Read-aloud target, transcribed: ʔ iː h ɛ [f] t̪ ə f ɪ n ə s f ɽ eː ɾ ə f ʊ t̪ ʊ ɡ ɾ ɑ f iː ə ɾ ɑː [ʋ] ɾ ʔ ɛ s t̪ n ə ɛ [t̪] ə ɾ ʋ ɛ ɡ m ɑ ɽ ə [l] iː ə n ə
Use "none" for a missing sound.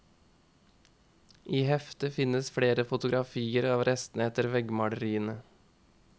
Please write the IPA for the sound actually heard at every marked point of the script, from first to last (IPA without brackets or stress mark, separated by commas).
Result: f, ʋ, t̪, ɾ